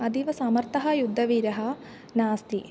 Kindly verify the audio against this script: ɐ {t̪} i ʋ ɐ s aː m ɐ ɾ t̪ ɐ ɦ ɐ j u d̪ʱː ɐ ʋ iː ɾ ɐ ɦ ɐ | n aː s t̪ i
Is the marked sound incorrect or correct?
incorrect